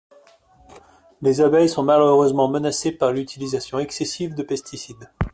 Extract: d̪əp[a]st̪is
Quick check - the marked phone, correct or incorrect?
incorrect